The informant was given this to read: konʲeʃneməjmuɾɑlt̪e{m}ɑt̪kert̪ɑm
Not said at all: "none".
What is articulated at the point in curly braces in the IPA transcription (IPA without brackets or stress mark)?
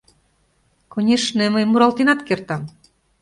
n